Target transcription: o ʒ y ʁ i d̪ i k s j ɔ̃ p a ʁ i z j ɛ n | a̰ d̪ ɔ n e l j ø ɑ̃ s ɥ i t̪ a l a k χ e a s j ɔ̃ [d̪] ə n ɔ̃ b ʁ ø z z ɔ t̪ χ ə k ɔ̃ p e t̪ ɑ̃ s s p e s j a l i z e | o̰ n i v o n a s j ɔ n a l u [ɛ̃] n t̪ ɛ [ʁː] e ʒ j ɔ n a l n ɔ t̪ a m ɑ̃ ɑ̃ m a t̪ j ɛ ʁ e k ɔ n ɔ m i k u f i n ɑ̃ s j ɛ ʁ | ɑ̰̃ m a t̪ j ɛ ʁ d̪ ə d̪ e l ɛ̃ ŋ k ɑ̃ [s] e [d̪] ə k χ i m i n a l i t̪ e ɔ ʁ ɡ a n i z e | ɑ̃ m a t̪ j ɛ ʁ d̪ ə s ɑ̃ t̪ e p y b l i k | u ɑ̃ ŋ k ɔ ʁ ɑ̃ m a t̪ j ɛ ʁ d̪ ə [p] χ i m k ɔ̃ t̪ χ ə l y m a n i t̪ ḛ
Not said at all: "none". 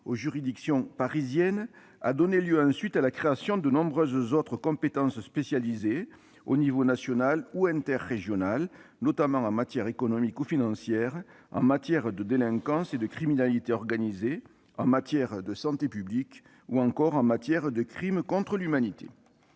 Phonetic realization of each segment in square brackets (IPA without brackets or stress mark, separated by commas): d̪, ɛ̃, ʁː, s, d̪, k